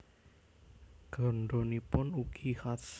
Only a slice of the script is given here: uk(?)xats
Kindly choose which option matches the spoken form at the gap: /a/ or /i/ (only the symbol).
i